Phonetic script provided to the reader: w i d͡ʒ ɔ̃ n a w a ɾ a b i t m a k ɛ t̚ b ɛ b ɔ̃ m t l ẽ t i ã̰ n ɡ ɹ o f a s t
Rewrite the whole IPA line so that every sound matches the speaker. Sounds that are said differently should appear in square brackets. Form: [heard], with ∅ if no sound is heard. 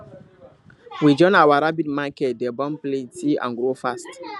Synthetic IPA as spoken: w i d͡ʒ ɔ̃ n a w a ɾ a b i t m a k ɛ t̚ [d] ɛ b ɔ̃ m [p] l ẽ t i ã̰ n ɡ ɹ o f a s t

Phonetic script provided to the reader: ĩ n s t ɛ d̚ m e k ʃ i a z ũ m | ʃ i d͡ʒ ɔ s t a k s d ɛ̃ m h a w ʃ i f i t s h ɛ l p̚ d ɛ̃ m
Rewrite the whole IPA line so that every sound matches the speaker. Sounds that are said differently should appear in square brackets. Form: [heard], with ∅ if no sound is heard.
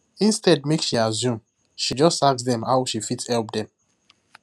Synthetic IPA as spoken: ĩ n s t ɛ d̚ m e k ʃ i a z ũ m | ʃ i d͡ʒ ɔ s t a k s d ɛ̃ m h a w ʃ i f i t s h ɛ l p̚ d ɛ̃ m

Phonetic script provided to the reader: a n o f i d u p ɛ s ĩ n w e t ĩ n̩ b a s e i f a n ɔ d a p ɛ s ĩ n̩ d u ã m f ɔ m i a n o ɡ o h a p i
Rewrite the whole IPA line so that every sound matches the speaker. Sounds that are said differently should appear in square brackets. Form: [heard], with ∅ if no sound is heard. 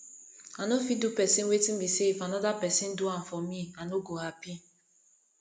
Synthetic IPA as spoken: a n o f i d u p ɛ s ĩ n w e t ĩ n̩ b [i] s e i f a n ɔ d a p ɛ s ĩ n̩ d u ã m f ɔ m i a n o ɡ o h a p i

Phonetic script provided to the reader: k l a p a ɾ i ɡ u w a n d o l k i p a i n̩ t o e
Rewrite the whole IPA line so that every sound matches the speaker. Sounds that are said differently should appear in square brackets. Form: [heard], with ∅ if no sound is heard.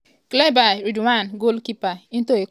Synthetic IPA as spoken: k l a [b] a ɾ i [d] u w a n [ɡ] o l k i p a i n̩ t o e

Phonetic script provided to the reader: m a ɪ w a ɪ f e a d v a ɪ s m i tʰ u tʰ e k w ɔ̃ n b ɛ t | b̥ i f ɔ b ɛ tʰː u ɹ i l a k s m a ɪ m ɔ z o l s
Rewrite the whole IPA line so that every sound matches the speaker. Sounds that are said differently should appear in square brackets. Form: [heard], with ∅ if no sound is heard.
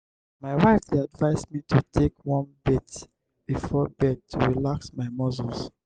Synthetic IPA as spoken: m a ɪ w a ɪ f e a d v a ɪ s m i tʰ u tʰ e k w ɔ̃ n b ɛ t | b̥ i f ɔ b ɛ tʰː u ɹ i l a k s m a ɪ m ɔ z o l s

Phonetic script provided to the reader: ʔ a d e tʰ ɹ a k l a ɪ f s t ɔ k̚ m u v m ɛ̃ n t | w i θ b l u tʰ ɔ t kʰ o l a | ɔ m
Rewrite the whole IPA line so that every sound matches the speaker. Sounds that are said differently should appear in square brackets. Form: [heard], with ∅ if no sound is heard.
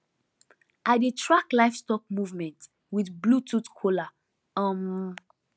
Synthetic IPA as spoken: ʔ a d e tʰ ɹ a k l a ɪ f s t ɔ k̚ m u v m ɛ̃ n t | w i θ b l u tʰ [u] t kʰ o l a | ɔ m

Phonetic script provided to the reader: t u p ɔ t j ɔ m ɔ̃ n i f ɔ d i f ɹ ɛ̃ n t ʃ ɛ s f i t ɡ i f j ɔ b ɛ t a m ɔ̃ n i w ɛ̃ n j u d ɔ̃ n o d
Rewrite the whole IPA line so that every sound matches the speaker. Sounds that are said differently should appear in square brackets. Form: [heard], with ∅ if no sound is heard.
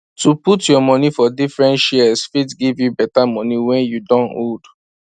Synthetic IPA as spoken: t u p [u] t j ɔ m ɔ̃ n i f ɔ d i f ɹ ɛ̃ n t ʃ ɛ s f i t ɡ i [v] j [u] b ɛ t a m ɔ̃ n i w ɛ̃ n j u d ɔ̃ n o d

